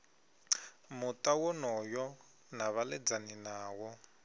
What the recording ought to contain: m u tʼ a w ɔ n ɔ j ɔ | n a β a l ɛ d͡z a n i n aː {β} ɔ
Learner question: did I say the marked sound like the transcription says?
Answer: no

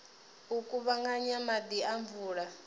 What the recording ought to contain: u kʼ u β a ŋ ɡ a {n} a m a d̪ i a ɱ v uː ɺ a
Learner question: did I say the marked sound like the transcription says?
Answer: no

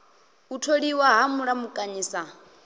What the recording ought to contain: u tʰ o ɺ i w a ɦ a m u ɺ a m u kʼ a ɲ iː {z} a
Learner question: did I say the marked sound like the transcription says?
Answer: no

